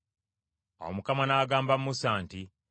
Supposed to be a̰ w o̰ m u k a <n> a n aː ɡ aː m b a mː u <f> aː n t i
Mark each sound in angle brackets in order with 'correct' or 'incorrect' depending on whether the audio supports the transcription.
incorrect: m, incorrect: s

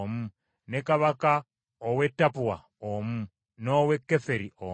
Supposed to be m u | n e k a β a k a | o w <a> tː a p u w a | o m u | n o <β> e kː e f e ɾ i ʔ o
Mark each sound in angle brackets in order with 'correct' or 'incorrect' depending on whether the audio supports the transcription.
incorrect: e, incorrect: w

